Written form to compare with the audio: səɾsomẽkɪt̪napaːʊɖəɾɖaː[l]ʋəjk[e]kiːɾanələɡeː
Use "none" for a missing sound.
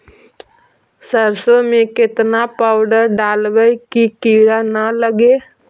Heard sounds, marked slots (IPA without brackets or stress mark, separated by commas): l, i